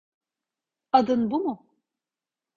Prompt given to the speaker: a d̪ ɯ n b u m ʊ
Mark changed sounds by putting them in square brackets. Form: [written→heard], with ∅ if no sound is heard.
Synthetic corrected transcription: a d̪ ɯ n b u m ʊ